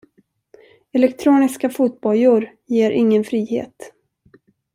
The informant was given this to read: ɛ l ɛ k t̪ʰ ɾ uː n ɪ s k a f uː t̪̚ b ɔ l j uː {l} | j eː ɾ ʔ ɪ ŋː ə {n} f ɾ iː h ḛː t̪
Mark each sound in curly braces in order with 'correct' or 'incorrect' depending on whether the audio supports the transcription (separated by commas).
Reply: incorrect, correct